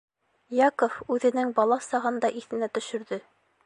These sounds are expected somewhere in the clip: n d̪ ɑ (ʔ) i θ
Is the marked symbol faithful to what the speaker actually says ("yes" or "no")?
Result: yes